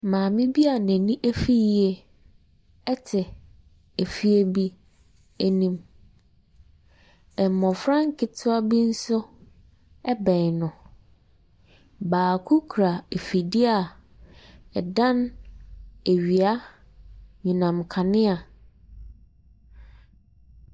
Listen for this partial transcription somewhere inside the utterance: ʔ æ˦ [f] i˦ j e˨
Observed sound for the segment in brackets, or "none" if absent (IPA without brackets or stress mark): f